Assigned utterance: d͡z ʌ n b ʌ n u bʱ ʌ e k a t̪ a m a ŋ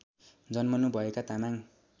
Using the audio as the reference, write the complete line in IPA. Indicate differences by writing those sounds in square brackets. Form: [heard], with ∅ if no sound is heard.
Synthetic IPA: d͡z ʌ n [m] ʌ n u bʱ ʌ e k a t̪ a m a ŋ